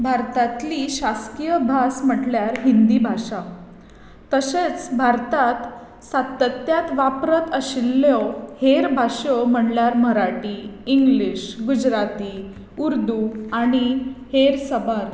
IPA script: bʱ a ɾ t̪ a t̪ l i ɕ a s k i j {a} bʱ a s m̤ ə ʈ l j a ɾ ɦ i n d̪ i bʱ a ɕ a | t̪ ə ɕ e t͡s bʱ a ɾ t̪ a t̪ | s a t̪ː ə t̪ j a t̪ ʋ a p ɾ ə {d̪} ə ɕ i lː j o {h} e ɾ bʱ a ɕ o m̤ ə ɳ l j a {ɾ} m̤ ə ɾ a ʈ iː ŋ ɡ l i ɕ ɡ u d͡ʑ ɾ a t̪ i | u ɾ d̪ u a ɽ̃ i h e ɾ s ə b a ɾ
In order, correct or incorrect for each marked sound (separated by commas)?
incorrect, incorrect, correct, correct